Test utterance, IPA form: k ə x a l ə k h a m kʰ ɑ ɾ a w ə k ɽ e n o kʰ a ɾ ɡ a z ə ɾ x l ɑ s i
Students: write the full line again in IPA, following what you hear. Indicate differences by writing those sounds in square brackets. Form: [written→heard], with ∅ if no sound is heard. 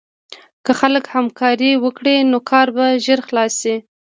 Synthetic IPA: k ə x a l ə k h a m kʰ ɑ ɾ [a→i] w ə k ɽ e n o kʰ [a→ɑ] ɾ [ɡ→b] a [z→ʒ] ə ɾ x l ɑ s i